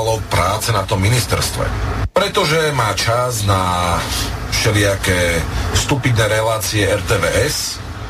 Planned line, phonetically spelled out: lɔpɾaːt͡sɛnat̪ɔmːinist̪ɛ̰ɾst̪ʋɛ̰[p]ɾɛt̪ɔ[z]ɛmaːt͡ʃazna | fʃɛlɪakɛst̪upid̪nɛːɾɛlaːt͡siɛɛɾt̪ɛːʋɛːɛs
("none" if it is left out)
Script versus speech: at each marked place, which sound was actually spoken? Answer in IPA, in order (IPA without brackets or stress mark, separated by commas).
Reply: p, ʒ